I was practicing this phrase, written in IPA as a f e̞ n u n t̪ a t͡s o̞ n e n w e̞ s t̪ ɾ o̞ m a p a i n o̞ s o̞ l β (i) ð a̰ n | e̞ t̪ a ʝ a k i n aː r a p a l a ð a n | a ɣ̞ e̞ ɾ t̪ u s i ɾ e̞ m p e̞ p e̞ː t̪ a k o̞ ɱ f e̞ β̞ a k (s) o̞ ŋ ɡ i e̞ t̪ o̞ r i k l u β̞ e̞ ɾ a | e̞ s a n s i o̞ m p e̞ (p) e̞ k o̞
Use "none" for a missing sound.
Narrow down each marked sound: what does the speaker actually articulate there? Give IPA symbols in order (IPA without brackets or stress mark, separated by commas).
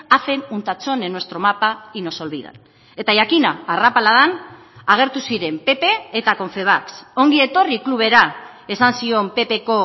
i, s, p